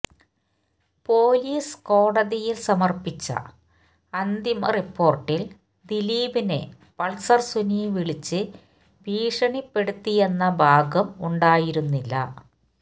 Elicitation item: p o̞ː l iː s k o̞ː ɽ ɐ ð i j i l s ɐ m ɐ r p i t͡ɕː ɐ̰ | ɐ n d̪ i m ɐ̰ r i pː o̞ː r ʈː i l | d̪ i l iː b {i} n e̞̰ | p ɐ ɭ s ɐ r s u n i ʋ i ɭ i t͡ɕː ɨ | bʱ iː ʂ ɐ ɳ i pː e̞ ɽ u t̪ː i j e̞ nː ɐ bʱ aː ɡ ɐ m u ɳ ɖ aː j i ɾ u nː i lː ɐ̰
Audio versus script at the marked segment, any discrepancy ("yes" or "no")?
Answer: no